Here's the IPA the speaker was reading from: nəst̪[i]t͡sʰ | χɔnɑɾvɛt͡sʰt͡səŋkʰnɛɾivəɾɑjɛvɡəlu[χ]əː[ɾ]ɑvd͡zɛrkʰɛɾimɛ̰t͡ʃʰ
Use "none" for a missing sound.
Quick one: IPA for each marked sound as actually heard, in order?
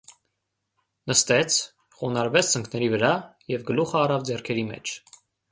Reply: ɛ, χ, r

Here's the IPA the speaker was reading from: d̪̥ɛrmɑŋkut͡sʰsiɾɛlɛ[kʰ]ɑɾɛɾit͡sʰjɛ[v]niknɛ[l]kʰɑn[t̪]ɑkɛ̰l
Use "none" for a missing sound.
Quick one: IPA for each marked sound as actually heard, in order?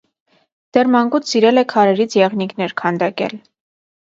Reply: kʰ, ʁ, ɾ, d̪

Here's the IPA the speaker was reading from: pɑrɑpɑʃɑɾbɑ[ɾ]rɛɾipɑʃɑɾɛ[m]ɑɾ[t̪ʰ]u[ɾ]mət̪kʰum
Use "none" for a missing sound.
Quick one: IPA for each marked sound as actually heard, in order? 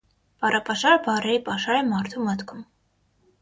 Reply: none, m, t̪ʰ, none

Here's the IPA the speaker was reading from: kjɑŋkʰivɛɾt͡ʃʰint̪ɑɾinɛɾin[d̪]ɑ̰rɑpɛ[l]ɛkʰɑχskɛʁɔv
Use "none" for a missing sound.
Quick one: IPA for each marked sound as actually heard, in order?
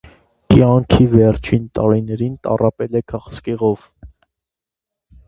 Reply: t̪, l

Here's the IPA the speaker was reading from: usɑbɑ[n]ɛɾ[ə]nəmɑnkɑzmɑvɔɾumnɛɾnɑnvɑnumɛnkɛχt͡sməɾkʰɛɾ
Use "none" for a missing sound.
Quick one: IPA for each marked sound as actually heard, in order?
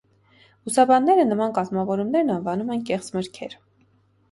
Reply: nː, ə

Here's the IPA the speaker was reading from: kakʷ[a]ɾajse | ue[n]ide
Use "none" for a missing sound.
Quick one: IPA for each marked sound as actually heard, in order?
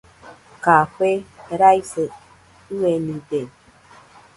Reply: e, n

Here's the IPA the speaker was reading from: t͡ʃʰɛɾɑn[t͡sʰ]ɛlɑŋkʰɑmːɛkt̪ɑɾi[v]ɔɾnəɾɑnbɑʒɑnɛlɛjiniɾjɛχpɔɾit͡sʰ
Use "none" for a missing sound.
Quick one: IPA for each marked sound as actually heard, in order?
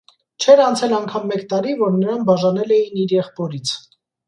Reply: t͡sʰ, v

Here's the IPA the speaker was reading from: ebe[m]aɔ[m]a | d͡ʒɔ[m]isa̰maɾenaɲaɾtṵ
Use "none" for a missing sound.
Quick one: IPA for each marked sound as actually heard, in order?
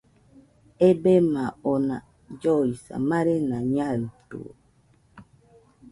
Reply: m, n, none

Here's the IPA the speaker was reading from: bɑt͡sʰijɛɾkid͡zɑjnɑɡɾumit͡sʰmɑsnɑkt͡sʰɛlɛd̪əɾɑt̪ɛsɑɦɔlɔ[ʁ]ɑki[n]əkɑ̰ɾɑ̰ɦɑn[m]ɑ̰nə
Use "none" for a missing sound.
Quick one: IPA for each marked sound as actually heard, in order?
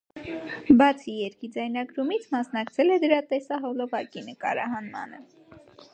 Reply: v, n, m

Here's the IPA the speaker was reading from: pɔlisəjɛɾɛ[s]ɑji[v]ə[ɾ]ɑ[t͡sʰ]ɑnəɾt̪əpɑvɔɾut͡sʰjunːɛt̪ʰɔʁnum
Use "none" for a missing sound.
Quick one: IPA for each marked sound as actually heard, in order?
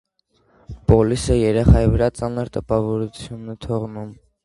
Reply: χ, v, ɾ, t͡s

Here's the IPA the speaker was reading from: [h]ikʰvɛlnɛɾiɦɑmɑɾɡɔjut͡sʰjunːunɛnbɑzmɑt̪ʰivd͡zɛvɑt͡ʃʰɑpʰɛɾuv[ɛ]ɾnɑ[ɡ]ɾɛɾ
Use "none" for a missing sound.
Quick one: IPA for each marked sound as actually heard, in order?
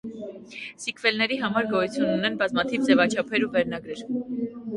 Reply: s, ɛ, ɡ

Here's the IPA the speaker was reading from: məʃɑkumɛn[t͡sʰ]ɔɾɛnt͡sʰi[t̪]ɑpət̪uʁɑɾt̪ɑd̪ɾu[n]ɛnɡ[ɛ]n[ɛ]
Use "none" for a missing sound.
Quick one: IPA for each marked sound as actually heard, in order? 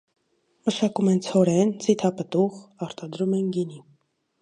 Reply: t͡sʰ, t̪ʰ, m, i, i

